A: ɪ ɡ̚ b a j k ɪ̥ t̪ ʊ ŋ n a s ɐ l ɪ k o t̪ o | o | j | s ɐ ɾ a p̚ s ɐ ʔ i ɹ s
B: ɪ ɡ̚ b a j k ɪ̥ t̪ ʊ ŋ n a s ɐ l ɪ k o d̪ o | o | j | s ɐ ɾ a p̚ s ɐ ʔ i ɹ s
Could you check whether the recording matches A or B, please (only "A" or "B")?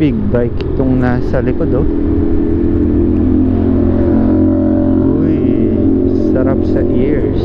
B